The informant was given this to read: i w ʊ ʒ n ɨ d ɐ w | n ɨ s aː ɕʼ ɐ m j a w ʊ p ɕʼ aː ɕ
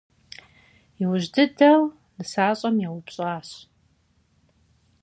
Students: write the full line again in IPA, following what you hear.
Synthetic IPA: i w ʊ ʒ d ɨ d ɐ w | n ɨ s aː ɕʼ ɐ m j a w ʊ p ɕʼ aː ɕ

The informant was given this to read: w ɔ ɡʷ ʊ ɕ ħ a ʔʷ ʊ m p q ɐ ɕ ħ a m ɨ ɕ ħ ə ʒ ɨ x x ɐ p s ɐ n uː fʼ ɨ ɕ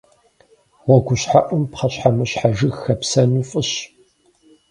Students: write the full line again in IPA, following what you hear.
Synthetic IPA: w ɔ ɡʷ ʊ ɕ ħ a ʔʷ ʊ m p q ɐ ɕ ħ a m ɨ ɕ ħ a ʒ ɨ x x ɐ p s ɐ n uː fʼ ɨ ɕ

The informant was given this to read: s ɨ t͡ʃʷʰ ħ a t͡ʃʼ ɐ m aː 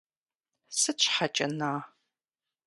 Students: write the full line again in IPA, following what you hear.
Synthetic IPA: s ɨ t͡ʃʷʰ ħ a t͡ʃʼ ɐ n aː

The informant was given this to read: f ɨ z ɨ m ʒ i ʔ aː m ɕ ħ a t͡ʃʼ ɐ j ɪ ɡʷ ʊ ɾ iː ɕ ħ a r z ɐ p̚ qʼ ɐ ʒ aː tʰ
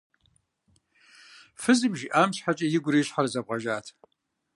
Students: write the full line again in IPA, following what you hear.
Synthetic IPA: f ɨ z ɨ m ʒ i ʔ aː m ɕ ħ a t͡ʃʼ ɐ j ɪ ɡʷ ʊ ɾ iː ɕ ħ a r z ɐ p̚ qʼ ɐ ʒ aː tʰ

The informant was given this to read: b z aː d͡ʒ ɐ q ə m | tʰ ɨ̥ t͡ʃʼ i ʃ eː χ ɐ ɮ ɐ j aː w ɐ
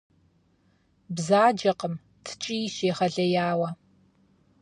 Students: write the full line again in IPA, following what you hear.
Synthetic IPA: b z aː d͡ʒ ɐ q ə m | tʰ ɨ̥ t͡ʃʼ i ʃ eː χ ɐ ɮ ɐ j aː w ɐ

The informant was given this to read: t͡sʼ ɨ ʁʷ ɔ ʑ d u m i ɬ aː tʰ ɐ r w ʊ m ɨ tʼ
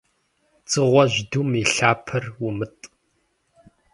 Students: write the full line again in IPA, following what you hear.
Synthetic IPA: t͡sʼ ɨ ʁʷ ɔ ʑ d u m i ɬ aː pʰ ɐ r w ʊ m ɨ tʼ

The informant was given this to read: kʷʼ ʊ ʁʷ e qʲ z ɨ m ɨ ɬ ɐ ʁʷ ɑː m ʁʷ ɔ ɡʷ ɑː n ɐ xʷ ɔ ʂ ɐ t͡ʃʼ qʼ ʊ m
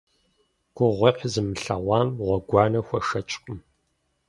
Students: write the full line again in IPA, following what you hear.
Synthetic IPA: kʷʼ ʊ ʁʷ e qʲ z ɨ m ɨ ɬ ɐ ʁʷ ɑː m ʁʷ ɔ ɡʷ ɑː n ɐ xʷ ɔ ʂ ɐ t͡ʃʼ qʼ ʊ m

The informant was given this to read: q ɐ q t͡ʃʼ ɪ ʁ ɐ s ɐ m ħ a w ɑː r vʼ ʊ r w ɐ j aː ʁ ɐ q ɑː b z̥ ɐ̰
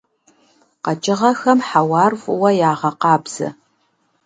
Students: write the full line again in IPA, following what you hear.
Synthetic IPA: q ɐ t͡ʃʼ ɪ ʁ ɐ x ɐ m ħ a w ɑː r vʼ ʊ w ɐ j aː ʁ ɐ q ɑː b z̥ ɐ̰

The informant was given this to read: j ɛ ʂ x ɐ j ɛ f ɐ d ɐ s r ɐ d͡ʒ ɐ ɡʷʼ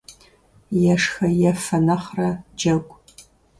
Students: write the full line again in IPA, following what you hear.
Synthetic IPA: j ɛ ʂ x ɐ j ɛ f ɐ n ɐ χ r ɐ d͡ʒ ɐ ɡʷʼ

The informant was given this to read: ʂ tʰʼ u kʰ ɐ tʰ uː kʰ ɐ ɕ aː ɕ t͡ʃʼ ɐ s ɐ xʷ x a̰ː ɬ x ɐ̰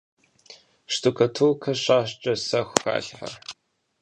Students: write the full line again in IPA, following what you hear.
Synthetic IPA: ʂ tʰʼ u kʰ ɐ tʰ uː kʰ ɐ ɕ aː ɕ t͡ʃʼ ɐ s ɐ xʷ x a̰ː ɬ ħ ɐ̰

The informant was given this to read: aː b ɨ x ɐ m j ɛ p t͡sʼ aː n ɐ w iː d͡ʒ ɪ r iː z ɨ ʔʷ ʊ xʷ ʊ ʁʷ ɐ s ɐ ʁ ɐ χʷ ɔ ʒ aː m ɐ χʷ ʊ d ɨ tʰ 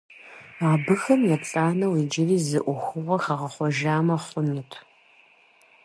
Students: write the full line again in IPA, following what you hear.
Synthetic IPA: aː b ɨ x ɐ m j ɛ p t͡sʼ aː n ɐ w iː d͡ʒ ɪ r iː z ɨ ʔʷ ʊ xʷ ʊ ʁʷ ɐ x ɐ ʁ ɐ χʷ ɔ ʒ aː m ɐ χʷ ʊ n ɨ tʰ

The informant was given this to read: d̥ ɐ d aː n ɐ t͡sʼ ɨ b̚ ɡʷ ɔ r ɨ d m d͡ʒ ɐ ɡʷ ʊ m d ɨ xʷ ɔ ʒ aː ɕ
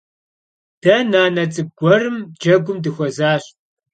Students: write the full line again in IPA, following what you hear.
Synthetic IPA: d̥ ɐ n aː n ɐ t͡sʼ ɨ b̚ ɡʷ ɔ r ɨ m d͡ʒ ɐ ɡʷ ʊ m d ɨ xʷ ɔ z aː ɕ

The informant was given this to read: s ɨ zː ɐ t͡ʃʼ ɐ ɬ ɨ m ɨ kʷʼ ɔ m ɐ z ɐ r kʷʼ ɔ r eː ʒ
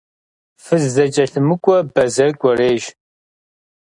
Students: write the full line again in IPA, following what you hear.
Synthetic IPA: f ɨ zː ɐ t͡ʃʼ ɐ ɬ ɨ m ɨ kʷʼ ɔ b ɐ z ɐ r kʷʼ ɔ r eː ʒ

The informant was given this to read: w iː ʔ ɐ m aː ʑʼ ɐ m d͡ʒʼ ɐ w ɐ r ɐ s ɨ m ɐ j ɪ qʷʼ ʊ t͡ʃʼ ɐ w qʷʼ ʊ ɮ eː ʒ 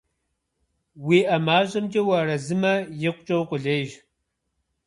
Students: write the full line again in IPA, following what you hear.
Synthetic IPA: w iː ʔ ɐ m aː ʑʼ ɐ m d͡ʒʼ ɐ w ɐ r ɐ z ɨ m ɐ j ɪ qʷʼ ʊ t͡ʃʼ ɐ w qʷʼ ʊ ɮ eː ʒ

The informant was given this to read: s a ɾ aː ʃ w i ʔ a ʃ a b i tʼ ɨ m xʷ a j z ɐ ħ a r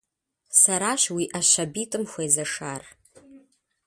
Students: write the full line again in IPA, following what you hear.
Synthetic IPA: s a ɾ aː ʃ w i ʔ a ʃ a b i tʼ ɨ m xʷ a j z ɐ ʂ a r

